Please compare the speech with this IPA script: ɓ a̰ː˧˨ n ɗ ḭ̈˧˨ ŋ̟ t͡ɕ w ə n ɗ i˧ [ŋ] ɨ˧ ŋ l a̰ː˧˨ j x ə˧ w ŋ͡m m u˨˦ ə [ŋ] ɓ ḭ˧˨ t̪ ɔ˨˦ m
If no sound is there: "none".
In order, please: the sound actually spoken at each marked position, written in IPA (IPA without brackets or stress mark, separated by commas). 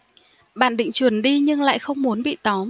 ɲ, n